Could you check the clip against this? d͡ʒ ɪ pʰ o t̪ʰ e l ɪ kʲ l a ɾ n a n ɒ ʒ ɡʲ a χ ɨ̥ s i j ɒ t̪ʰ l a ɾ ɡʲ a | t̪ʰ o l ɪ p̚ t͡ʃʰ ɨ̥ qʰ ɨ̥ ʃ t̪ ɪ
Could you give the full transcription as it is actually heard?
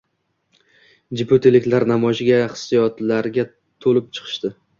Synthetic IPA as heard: d͡ʒ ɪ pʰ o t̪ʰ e l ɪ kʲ l a ɾ n a m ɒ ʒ ɡʲ a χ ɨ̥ s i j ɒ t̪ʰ l a ɾ ɡʲ a | t̪ʰ o l ɪ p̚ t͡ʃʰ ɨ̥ qʰ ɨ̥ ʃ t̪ ɪ